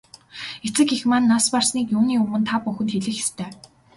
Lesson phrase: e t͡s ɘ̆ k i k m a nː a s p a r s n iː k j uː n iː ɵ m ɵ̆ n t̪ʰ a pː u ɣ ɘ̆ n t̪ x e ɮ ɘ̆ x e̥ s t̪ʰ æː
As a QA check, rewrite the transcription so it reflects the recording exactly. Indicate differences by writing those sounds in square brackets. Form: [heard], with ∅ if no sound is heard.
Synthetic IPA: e t͡s ɘ̆ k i [x] m a nː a s p a r s n iː k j uː n iː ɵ m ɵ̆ n t̪ʰ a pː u [x] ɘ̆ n t̪ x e ɮ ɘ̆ x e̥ s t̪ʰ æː

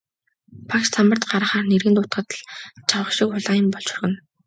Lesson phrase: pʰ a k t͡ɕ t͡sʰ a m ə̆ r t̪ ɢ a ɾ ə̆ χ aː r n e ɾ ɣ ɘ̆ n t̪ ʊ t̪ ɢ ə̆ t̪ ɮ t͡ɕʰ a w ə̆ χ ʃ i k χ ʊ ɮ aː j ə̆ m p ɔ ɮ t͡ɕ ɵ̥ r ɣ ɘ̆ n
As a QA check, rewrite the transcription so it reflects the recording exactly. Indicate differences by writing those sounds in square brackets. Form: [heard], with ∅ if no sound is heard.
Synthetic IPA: pʰ a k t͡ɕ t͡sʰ a m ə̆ r t̪ ɢ a ɾ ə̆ χ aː r n e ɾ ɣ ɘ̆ n t̪ ʊ t̪ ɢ ə̆ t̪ ɮ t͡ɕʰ a w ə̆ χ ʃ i k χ ʊ ɮ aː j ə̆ m p ɔ ɮ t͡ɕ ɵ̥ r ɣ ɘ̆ n

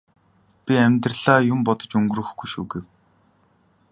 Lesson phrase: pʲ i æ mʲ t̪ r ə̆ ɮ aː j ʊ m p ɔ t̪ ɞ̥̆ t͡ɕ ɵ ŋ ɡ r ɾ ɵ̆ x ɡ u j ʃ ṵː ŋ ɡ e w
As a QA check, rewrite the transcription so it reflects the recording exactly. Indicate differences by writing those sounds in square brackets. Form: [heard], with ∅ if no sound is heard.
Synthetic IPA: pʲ i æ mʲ t̪ r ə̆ ɮ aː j ʊ m p ɔ t̪ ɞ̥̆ t͡ɕ ɵ ŋ ɡ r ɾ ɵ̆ x ɡ u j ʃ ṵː [∅] ɡ e w

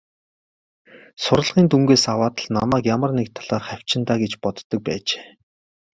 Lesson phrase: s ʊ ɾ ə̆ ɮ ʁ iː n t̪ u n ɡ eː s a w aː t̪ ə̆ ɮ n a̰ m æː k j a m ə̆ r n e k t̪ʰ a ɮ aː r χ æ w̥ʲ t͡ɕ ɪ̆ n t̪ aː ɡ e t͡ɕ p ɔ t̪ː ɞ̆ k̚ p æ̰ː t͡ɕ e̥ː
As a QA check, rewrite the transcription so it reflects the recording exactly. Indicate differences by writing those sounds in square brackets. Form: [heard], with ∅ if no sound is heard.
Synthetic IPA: s ʊ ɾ ə̆ ɮ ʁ iː n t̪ u [ŋ] ɡ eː s a w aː t̪ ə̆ ɮ n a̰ m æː k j a m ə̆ r n e k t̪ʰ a ɮ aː r χ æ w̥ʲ t͡ɕ ɪ̆ n t̪ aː ɡ e t͡ɕ p ɔ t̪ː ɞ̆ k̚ p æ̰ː t͡ɕ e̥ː

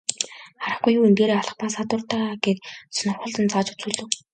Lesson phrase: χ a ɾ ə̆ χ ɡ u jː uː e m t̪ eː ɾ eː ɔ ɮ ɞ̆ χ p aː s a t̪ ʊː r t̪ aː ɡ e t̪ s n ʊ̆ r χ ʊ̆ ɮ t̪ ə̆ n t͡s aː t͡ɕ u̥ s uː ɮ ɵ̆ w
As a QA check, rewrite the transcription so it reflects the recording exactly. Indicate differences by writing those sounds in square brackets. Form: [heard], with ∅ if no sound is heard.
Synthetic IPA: χ a ɾ ə̆ χ ɡ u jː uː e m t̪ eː ɾ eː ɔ ɮ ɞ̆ χ p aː s a t̪ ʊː r t̪ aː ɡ e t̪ s n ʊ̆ r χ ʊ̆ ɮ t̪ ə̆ n t͡s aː t͡ɕ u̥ [t͡s] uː ɮ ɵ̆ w

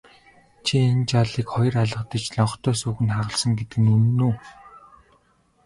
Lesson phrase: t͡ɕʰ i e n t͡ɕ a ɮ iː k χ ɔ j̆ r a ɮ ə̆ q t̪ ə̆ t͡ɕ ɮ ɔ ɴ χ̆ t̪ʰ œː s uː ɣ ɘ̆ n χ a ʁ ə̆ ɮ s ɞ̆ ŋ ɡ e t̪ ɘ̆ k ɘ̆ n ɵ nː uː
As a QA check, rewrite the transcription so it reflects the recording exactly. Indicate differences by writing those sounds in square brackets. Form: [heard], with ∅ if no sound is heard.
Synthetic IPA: t͡ɕʰ i e n t͡ɕ a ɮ iː k χ ɔ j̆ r a ɮ ə̆ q t̪ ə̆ t͡ɕ ɮ ɔ ɴ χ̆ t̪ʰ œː s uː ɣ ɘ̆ n χ a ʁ ə̆ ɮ s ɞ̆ ŋ ɡ e t̪ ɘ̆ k ɘ̆ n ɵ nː uː

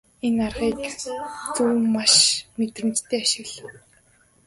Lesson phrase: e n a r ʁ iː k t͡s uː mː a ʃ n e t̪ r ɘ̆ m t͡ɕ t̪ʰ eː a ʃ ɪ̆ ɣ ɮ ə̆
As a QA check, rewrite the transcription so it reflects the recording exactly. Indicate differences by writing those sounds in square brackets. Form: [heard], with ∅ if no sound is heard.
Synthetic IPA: e n a r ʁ iː k t͡s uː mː a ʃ [m] e t̪ r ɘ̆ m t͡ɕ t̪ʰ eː a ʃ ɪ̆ ɣ ɮ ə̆

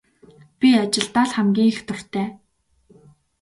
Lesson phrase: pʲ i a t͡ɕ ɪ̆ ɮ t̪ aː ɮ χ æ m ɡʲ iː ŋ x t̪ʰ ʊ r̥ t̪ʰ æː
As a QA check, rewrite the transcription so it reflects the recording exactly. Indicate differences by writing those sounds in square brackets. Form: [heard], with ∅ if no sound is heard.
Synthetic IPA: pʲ i a t͡ɕ ɪ̆ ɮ t̪ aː ɮ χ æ m ɡʲ iː ŋ x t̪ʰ ʊ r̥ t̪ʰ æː

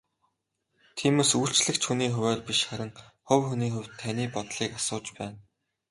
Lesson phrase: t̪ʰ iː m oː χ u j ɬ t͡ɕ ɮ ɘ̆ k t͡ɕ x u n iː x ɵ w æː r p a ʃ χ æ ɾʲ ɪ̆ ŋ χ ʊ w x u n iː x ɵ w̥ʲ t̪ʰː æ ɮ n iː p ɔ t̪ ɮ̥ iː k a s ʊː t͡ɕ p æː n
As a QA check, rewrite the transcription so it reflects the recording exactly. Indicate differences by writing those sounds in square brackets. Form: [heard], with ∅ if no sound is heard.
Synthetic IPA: t̪ʰ iː m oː [s] u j ɬ t͡ɕ ɮ ɘ̆ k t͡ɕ x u n iː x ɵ w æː r p [i] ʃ χ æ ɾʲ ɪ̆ ŋ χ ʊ w x u n iː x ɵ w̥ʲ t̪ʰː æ [∅] n iː p ɔ t̪ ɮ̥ iː k a s ʊː t͡ɕ p æː n

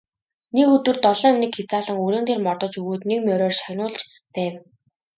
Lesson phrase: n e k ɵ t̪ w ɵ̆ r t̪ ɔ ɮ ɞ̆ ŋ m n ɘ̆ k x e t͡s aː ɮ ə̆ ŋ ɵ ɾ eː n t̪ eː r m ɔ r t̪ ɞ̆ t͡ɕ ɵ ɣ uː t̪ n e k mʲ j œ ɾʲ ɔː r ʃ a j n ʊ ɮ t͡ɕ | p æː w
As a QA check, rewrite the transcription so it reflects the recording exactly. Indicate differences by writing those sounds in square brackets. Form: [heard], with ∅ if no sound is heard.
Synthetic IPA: n e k ɵ t̪ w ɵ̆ r t̪ ɔ ɮ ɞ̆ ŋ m n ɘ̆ k x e t͡s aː ɮ ə̆ ŋ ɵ ɾ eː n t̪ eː r m ɔ r t̪ ɞ̆ t͡ɕ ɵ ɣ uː t̪ n e k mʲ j œ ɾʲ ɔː r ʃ a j n [ʊː] ɮ t͡ɕ | p æː w

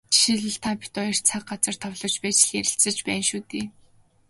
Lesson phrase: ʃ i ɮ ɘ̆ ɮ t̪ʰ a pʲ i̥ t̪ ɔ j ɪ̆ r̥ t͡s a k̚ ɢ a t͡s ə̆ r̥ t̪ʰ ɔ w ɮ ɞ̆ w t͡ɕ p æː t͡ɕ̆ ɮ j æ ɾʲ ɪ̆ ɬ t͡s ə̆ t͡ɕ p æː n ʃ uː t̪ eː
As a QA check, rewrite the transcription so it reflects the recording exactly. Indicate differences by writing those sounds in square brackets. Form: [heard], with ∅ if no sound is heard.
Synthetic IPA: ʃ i ɮ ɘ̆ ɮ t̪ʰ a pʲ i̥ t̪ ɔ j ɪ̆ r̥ [t͡sʰ] a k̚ ɢ a t͡s ə̆ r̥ t̪ʰ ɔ w ɮ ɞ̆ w t͡ɕ p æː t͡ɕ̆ ɮ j æ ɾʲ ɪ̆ ɬ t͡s ə̆ t͡ɕ p æː n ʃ uː t̪ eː

